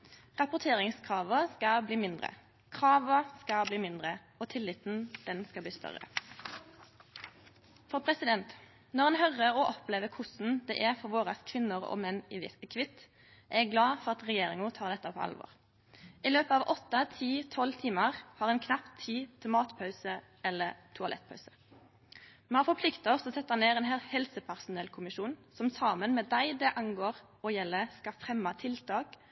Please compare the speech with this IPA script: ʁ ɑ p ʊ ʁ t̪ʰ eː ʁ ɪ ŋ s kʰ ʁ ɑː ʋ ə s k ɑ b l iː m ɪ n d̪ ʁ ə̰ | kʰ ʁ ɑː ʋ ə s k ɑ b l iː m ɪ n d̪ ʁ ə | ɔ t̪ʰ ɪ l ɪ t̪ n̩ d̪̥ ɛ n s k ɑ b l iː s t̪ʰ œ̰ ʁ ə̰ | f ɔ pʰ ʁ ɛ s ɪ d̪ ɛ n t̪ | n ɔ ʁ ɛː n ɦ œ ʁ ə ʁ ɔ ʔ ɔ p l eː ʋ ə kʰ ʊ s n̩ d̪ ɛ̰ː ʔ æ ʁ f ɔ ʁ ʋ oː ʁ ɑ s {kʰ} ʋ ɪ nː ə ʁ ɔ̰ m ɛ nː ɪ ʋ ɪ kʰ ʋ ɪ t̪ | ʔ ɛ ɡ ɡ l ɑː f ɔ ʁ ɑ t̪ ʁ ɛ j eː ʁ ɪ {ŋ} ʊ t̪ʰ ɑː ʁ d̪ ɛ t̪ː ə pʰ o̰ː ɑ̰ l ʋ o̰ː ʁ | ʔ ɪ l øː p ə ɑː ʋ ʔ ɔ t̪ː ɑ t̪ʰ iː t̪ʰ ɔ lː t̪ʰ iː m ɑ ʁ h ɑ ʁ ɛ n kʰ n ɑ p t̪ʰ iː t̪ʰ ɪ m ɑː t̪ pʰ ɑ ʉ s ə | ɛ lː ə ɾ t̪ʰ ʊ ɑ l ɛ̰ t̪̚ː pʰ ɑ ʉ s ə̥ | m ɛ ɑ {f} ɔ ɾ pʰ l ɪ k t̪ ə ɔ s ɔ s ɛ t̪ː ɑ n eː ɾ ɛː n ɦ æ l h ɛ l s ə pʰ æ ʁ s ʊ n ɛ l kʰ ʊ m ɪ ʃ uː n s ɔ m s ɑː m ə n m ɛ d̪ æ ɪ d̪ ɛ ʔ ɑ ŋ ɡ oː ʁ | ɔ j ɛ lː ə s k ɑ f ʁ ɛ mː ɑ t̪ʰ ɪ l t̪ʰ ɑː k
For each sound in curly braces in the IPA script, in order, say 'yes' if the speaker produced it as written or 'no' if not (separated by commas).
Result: yes, yes, yes